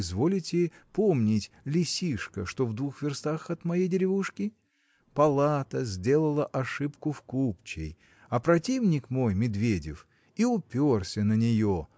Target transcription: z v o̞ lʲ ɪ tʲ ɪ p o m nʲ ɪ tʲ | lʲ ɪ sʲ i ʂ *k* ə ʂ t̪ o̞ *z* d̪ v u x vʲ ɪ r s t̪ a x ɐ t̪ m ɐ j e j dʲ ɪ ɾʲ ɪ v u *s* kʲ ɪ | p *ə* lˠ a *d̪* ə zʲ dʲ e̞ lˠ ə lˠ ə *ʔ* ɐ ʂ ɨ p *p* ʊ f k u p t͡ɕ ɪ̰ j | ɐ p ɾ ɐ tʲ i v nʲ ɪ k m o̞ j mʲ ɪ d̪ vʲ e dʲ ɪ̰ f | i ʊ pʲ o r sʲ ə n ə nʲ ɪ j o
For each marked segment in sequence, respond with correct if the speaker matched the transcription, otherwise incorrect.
correct, incorrect: v, incorrect: ʂ, incorrect: ɐ, incorrect: t̪, correct, incorrect: k

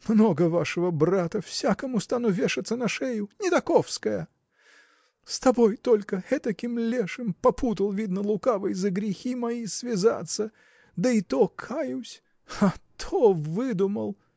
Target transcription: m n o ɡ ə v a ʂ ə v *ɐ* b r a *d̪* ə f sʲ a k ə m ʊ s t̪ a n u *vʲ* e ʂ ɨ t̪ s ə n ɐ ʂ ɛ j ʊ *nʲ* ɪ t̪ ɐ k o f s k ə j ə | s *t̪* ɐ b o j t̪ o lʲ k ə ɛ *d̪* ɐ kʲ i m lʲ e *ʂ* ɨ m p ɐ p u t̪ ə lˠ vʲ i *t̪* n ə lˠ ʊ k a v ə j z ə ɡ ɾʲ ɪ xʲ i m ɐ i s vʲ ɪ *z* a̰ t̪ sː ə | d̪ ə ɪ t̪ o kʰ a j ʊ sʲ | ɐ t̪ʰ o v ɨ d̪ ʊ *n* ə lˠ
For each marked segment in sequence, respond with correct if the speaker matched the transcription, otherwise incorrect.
incorrect: ə, incorrect: t̪, correct, correct, correct, incorrect: t̪, correct, incorrect: d̪, correct, incorrect: m

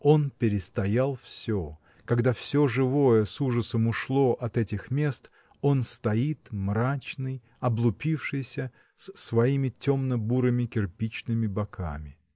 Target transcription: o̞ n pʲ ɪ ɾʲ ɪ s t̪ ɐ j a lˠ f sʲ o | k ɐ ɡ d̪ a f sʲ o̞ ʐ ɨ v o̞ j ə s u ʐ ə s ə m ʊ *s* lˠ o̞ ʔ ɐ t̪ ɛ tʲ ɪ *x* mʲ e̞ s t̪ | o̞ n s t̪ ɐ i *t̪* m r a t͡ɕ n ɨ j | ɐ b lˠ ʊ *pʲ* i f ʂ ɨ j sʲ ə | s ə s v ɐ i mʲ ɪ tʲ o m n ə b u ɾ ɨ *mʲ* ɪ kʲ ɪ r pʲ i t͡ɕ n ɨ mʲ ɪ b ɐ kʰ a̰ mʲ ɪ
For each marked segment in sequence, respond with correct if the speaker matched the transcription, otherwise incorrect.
incorrect: ʂ, correct, correct, correct, correct

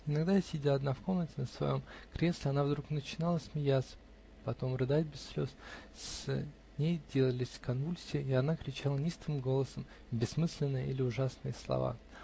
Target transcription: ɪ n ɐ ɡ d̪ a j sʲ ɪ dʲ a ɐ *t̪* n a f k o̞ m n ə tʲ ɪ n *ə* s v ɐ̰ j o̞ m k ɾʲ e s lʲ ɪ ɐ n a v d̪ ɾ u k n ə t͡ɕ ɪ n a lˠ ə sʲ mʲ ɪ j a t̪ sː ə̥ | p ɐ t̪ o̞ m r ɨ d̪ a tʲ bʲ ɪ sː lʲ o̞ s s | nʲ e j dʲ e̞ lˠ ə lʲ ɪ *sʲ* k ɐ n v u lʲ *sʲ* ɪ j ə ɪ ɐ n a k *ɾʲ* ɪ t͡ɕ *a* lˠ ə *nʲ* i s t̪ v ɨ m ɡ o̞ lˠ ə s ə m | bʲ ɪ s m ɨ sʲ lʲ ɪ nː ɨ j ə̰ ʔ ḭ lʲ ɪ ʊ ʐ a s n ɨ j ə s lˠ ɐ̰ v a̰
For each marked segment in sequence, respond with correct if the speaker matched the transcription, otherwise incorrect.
incorrect: d̪, correct, correct, correct, correct, correct, correct

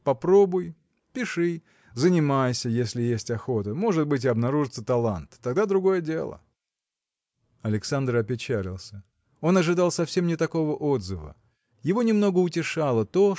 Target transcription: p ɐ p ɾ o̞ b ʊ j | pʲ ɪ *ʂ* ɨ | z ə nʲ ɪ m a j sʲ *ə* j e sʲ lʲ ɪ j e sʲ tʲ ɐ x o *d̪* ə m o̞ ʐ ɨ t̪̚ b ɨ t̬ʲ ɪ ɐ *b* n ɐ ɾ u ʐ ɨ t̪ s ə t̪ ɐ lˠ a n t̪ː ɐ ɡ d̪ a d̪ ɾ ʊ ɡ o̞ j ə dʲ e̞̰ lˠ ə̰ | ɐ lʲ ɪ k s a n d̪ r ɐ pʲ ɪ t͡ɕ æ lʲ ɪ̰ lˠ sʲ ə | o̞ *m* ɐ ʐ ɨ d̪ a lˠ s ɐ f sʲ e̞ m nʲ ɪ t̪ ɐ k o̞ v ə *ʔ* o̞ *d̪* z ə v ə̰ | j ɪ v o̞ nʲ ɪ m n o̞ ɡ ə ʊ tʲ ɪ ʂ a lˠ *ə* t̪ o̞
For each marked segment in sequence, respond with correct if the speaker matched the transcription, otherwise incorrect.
correct, correct, incorrect: t̪, correct, incorrect: n, correct, correct, correct

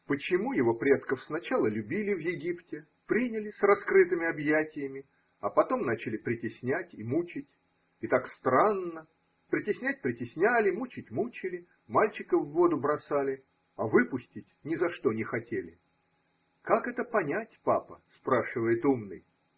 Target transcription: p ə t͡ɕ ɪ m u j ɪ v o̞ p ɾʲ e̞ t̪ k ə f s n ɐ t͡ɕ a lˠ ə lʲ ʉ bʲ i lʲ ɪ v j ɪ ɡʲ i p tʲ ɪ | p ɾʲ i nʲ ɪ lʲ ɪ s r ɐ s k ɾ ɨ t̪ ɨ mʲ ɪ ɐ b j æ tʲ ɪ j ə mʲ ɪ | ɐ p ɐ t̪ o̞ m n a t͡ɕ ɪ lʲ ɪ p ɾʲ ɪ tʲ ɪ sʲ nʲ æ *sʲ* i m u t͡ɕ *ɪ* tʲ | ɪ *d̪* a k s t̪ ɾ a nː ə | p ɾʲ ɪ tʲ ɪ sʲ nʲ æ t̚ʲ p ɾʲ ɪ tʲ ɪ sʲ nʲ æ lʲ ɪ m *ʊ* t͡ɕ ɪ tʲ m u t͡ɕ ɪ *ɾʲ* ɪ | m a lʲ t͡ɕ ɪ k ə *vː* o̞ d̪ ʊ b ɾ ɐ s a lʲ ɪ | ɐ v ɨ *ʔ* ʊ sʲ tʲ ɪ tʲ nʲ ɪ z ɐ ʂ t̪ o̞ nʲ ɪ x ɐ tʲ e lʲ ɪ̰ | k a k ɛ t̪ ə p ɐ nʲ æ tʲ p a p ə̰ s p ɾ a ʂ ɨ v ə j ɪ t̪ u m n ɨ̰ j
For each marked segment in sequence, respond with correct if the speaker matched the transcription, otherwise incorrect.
incorrect: tʲ, correct, incorrect: t̪, incorrect: u, incorrect: lʲ, correct, incorrect: p

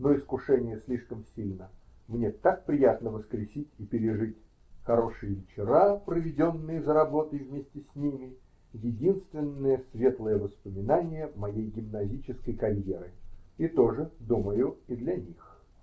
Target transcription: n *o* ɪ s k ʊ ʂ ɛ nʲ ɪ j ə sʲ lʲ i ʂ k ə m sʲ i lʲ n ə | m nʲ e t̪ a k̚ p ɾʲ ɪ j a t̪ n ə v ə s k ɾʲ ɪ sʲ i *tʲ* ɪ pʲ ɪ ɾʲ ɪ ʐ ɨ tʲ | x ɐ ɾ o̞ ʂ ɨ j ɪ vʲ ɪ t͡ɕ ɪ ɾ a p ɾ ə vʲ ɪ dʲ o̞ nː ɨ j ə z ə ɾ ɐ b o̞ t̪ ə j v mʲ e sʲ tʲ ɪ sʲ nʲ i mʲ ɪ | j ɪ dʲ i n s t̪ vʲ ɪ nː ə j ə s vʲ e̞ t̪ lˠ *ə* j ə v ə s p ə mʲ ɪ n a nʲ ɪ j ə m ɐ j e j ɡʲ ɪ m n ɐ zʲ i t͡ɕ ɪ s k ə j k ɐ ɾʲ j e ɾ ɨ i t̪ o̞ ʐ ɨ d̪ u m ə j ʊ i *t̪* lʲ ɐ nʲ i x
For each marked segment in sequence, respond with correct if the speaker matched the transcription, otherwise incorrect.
correct, correct, correct, incorrect: d̪

